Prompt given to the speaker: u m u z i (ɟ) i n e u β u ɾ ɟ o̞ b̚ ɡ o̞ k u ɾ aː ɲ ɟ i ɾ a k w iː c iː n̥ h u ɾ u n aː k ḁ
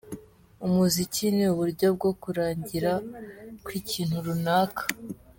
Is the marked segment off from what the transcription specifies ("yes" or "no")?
yes